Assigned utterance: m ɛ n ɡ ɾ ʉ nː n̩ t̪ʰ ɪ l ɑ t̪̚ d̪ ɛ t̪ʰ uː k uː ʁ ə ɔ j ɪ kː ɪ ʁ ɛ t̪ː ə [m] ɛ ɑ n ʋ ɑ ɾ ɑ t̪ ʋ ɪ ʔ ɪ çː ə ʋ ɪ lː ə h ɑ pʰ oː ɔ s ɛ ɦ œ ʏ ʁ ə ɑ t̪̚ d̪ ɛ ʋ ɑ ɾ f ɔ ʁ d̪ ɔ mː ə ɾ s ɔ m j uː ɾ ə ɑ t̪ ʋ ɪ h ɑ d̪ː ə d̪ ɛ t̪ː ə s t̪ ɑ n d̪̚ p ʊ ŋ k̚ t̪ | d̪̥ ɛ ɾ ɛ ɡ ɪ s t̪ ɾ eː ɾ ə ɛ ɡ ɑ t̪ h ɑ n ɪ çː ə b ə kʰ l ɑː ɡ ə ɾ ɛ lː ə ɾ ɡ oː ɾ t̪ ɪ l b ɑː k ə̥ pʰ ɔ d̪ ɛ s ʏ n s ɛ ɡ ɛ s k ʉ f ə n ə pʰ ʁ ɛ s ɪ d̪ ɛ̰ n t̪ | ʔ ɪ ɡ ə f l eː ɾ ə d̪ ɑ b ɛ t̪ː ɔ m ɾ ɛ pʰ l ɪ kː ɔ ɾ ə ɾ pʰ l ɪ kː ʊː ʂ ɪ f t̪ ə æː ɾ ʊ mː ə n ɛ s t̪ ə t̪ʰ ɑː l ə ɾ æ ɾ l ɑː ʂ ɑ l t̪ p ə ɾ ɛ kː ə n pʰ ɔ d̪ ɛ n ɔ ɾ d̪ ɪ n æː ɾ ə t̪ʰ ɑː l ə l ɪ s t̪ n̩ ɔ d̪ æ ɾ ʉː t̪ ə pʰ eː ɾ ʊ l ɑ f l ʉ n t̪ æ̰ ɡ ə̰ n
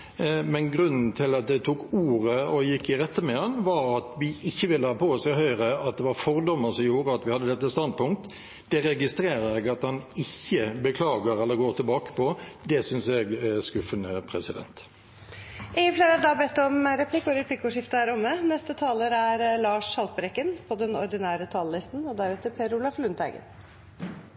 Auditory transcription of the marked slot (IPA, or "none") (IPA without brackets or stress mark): m